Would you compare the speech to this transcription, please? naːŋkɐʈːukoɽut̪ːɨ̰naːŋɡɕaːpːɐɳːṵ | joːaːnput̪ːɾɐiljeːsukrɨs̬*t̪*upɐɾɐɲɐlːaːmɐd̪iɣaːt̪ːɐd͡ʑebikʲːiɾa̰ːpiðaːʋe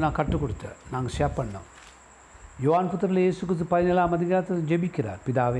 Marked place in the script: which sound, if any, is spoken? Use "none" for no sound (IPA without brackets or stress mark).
t̪